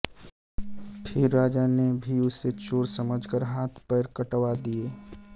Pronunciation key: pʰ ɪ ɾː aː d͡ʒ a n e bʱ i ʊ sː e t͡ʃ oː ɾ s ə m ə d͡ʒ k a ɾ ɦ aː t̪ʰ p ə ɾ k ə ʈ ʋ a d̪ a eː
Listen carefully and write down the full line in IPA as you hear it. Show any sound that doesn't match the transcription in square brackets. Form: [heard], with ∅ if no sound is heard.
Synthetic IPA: pʰ ɪ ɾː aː d͡ʒ a n e bʱ i ʊ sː e t͡ʃ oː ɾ s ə m ə d͡ʒ k [ə] ɾ ɦ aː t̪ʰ p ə ɾ k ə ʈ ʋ a d̪ [i] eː